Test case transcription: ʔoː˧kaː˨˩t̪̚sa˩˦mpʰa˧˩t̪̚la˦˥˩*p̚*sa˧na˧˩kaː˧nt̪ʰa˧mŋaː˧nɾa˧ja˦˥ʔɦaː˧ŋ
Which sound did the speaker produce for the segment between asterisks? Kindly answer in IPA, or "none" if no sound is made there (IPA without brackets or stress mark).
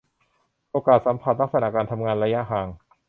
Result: k̚